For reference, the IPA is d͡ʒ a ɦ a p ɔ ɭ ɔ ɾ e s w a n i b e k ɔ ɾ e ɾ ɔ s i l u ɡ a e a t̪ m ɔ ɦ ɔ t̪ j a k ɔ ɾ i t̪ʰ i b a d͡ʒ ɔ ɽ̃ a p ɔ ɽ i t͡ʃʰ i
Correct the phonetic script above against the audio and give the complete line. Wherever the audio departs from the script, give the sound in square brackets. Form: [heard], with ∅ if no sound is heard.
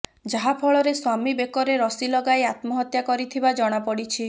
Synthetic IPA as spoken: d͡ʒ a ɦ a [pʰ] ɔ ɭ ɔ ɾ e s w a [m] i b e k ɔ ɾ e ɾ ɔ s i l [ɔ] ɡ a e a t̪ m ɔ ɦ ɔ t̪ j a k ɔ ɾ i t̪ʰ i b a d͡ʒ ɔ ɽ̃ a p ɔ ɽ i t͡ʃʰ i